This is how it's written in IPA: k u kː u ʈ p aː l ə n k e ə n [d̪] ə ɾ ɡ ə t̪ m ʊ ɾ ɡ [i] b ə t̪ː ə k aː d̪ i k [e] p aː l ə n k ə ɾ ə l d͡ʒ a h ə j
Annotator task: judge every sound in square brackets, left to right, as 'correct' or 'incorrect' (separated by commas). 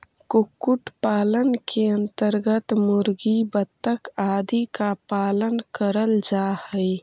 incorrect, correct, incorrect